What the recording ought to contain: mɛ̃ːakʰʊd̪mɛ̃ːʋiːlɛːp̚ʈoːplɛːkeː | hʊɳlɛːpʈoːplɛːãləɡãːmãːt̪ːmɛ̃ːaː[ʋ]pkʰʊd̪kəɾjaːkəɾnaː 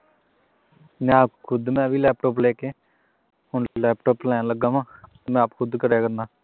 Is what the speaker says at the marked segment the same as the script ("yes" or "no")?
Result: no